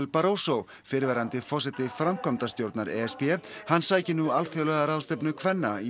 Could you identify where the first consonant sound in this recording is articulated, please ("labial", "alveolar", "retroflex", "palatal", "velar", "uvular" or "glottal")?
alveolar